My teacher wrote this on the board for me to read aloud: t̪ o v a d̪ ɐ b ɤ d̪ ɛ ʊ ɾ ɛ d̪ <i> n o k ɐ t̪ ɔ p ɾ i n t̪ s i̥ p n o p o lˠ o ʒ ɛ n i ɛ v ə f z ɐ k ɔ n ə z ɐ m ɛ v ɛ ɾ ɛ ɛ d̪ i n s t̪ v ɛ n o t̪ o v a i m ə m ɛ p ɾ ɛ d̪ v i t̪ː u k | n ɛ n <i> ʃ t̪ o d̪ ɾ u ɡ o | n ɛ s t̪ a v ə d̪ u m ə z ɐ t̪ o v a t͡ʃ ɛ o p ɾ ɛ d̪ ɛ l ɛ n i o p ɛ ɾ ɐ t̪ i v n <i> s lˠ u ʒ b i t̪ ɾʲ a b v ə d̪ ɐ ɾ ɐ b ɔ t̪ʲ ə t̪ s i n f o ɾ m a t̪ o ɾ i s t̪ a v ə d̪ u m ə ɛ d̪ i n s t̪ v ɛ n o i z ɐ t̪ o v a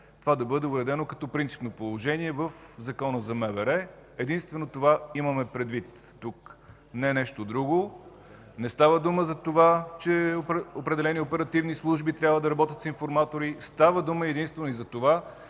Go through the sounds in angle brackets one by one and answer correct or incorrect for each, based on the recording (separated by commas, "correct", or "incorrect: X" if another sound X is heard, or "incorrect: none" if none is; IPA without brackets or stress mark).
incorrect: ɛ, incorrect: ɛ, correct